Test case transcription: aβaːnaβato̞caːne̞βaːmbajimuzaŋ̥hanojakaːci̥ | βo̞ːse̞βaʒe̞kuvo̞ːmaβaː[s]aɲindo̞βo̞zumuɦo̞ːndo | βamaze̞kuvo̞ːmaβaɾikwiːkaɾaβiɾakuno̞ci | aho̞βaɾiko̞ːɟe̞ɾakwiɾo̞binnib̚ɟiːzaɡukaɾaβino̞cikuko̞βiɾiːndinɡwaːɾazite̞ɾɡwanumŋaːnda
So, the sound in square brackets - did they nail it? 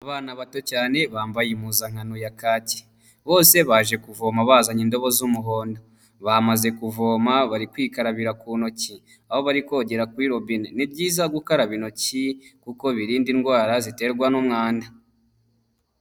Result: no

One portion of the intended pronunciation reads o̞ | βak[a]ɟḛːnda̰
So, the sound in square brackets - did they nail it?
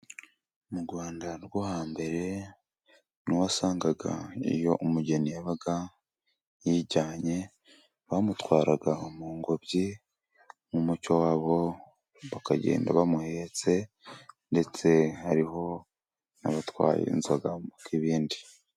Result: yes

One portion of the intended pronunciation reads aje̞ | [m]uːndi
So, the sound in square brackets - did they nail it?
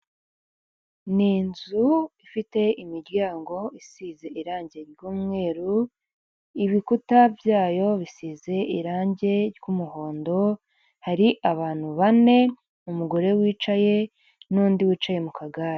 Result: no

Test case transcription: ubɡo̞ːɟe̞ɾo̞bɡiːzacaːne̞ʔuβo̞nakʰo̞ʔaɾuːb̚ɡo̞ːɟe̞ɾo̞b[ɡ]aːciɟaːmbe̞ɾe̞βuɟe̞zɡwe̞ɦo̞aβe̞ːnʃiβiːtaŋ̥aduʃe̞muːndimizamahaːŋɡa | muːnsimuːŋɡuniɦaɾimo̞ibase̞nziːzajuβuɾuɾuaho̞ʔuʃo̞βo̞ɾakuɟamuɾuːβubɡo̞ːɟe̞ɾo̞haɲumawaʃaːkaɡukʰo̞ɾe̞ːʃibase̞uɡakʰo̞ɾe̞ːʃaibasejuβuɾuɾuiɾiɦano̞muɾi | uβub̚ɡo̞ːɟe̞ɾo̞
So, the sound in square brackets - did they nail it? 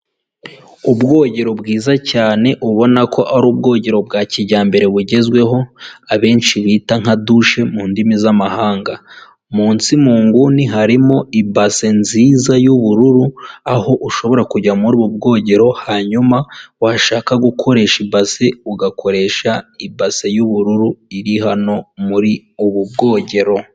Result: yes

